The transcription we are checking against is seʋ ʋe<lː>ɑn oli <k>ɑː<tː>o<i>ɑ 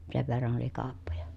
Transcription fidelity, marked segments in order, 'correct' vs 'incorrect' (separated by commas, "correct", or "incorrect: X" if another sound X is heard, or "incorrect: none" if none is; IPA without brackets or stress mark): incorrect: rː, correct, incorrect: pː, incorrect: j